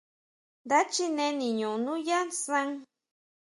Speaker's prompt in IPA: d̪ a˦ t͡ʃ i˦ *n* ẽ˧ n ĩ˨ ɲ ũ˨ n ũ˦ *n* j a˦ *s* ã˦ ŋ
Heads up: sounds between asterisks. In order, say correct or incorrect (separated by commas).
correct, incorrect, correct